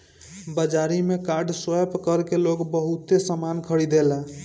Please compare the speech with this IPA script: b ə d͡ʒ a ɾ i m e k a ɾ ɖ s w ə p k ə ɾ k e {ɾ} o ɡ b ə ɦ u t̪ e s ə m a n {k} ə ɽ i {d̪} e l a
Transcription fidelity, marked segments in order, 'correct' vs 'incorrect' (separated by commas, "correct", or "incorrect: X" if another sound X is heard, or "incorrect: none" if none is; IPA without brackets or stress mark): incorrect: l, incorrect: kʰ, correct